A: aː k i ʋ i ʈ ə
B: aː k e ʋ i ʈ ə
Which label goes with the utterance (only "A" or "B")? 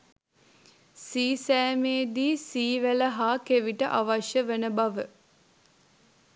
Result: B